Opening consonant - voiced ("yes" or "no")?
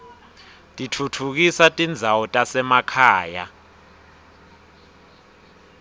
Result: no